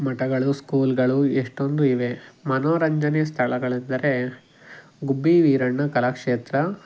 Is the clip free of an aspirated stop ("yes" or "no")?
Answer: no